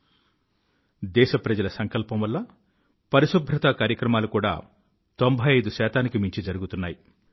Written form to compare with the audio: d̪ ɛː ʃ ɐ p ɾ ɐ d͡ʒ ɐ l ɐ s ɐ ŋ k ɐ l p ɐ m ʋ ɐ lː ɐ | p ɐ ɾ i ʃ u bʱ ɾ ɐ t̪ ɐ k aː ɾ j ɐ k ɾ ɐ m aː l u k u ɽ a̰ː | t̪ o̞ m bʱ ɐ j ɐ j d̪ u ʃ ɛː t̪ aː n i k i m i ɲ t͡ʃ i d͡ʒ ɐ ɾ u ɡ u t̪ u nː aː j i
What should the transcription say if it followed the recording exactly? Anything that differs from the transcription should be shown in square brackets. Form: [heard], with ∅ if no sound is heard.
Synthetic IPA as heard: d̪ ɛː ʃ ɐ p ɾ ɐ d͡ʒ ɐ l ɐ s ɐ ŋ k ɐ l p ɐ m ʋ ɐ lː ɐ | p ɐ ɾ i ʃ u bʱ ɾ ɐ t̪ ɐ k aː ɾ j ɐ k ɾ ɐ m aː l u k [uː] ɽ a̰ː | t̪ o̞ m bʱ ɐ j ɐ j d̪ u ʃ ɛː t̪ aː n i k i m i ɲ t͡ʃ i d͡ʒ ɐ ɾ u ɡ u t̪ u nː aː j i

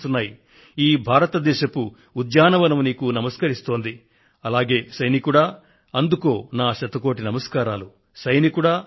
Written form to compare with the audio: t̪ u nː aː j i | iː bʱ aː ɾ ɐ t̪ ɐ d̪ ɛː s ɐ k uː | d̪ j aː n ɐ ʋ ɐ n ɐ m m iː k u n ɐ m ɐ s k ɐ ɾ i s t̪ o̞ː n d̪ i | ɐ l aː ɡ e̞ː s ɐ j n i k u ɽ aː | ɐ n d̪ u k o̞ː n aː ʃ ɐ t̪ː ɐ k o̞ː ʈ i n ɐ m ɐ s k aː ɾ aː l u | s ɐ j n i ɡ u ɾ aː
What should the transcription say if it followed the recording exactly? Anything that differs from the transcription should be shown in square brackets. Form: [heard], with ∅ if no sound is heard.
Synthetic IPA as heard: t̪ u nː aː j i | iː bʱ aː ɾ ɐ t̪ ɐ d̪ ɛː [ʃ] ɐ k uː | d̪ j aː n ɐ ʋ ɐ n ɐ m [n] iː k u n ɐ m ɐ s k ɐ ɾ i s t̪ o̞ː n d̪ i | ɐ l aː ɡ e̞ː s ɐ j n i k u ɽ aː | ɐ n d̪ u k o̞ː n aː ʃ ɐ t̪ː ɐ k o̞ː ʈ i n ɐ m ɐ s k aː ɾ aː l u | s ɐ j n i [k] u [ɽ] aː

